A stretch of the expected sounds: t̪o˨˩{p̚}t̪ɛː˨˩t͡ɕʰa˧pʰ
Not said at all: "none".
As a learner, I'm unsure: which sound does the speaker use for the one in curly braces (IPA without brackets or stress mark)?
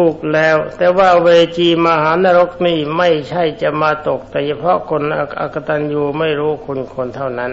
k̚